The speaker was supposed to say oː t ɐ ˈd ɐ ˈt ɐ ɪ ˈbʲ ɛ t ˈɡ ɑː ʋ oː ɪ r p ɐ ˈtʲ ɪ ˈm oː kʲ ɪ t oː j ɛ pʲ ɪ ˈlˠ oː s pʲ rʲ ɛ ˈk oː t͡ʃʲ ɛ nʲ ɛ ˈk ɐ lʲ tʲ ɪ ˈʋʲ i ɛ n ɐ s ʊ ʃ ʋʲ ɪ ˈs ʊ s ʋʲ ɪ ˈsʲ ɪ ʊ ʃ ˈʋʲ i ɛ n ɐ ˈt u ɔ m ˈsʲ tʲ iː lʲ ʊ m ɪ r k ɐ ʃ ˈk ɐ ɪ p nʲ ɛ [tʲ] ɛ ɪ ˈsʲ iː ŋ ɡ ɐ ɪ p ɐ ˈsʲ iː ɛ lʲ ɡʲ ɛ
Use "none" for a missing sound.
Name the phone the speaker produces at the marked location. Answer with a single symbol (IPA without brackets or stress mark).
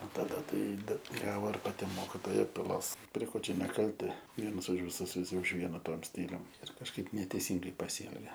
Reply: tʲ